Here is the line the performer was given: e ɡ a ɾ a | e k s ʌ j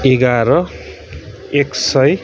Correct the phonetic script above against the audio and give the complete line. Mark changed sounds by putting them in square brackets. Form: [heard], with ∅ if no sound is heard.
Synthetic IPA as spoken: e ɡ a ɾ [ʌ] | e k s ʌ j